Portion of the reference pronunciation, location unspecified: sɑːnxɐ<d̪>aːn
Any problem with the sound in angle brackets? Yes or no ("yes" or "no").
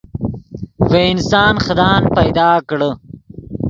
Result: no